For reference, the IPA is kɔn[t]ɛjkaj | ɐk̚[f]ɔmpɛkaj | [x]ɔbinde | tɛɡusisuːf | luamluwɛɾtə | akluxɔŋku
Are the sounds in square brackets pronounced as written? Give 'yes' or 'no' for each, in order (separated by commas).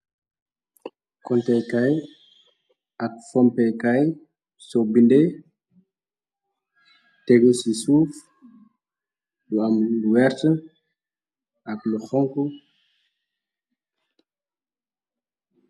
yes, yes, no